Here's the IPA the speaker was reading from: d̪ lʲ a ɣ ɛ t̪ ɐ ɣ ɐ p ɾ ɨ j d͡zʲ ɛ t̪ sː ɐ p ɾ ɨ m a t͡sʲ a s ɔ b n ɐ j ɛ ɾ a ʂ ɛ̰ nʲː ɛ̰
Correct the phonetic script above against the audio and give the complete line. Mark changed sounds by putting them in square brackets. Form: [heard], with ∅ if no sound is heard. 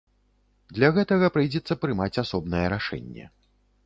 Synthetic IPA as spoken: d̪ lʲ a ɣ ɛ t̪ ɐ ɣ ɐ p ɾ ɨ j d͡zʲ ɛ t̪ sː ɐ p ɾ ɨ m a t͡sʲ a s ɔ b n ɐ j ɛ ɾ a ʂ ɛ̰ nʲː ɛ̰